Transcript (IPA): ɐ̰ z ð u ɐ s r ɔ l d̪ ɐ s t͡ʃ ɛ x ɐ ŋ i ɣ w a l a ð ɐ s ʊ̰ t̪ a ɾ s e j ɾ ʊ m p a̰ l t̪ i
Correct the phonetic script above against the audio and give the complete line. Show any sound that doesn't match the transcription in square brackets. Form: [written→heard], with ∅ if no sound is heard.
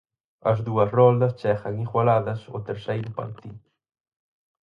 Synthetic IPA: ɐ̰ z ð u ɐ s r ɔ l d̪ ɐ s t͡ʃ ɛ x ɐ ŋ i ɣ w a l a ð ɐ s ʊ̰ t̪ [a→e] ɾ s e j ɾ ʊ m p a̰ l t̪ i